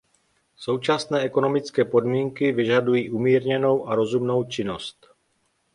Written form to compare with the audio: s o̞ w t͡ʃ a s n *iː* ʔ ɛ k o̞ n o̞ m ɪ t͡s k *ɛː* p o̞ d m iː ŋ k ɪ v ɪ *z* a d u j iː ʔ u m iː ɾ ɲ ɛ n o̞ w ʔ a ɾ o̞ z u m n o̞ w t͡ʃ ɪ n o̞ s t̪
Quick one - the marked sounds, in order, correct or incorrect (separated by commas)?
incorrect, correct, incorrect